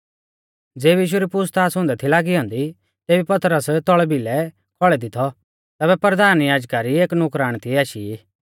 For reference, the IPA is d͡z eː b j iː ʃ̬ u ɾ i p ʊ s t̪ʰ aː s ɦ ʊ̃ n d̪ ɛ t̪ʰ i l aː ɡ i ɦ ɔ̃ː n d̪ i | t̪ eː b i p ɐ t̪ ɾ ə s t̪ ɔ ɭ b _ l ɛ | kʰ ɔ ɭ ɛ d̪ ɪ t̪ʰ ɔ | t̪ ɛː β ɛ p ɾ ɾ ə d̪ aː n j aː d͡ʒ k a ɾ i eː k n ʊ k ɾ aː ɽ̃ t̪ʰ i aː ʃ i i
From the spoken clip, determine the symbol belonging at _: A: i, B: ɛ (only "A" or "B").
A